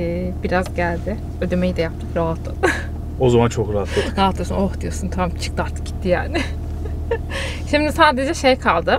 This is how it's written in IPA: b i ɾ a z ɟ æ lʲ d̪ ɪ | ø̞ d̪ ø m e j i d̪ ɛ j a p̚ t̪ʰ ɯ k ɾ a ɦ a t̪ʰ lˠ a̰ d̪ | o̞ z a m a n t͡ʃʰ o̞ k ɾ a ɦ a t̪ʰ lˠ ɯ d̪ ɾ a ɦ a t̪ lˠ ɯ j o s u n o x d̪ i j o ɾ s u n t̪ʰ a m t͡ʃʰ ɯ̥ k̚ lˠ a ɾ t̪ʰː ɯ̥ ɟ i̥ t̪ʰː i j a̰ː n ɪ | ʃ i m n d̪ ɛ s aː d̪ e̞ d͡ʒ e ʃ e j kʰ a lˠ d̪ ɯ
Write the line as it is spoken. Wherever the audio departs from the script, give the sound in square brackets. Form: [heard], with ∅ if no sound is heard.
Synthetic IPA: b i ɾ a z ɟ æ lʲ d̪ ɪ | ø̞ d̪ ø m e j i d̪ ɛ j a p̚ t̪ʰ ɯ k ɾ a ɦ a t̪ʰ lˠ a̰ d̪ | o̞ z a m a n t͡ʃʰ o̞ k ɾ a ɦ a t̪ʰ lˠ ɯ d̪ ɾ a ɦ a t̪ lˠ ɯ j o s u n o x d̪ i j o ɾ s u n t̪ʰ a m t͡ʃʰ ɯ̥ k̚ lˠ a ɾ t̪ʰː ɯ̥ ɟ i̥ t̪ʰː i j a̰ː n ɪ | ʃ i m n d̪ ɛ s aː d̪ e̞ d͡ʒ [ɛ] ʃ e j kʰ a lˠ d̪ ɯ